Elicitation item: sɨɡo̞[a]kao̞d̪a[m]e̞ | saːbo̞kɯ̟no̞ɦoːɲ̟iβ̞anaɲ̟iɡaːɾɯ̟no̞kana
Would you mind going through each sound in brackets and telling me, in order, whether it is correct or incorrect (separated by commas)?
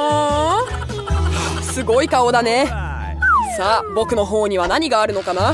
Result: incorrect, incorrect